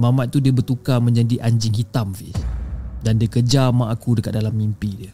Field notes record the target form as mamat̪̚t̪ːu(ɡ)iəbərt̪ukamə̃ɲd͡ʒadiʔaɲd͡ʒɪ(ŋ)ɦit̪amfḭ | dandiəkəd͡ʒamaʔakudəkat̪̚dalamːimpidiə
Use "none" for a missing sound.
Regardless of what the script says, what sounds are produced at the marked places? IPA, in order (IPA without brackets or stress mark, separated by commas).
d, ŋ